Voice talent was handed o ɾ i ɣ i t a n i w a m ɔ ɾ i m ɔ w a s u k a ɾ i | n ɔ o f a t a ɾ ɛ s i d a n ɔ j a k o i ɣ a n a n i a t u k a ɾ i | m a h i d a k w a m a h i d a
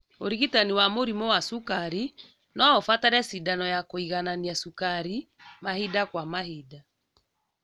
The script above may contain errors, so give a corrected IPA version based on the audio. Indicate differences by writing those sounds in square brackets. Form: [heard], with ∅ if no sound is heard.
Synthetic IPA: o ɾ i ɣ i t a n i w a m [o] ɾ i m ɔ w a s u k a ɾ i | n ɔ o f a t a ɾ ɛ s i d a n ɔ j a k o i ɣ a n a n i a [s] u k a ɾ i | m a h i d a k w a m a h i d a